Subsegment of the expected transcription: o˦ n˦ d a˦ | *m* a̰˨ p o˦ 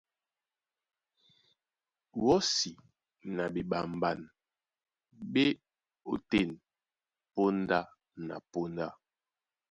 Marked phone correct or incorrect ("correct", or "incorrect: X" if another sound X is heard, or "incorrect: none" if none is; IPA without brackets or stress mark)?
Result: incorrect: n